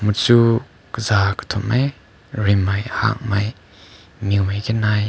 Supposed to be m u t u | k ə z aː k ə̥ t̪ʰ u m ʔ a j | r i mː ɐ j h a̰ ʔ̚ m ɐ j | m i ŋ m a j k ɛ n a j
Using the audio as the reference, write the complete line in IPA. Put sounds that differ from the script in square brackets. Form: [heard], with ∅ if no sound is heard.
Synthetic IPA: m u [t͡s] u | k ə z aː k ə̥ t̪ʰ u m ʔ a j | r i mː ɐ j h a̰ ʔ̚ m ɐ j | m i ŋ m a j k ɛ n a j